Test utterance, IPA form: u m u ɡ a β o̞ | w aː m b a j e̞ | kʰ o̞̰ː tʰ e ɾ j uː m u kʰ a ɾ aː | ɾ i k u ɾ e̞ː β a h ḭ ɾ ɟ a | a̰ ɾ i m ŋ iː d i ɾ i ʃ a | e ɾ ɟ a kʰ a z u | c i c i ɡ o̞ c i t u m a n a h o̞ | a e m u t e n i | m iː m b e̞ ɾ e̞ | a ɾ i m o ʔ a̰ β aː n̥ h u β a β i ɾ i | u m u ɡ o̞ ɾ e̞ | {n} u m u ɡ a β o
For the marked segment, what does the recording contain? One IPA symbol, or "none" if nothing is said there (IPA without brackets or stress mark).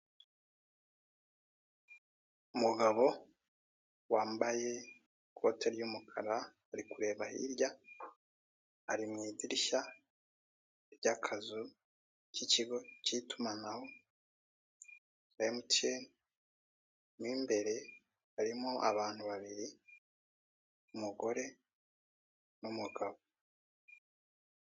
n